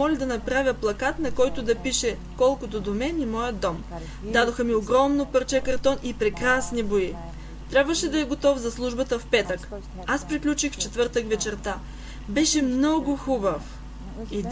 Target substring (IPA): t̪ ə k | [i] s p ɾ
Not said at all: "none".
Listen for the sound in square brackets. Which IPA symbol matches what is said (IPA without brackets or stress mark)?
a